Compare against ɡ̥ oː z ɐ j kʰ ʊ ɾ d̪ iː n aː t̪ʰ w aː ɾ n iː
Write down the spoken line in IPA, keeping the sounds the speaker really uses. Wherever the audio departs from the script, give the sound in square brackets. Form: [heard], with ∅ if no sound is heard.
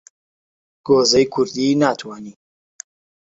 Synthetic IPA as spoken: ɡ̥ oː z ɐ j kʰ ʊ ɾ d̪ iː n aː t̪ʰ w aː [∅] n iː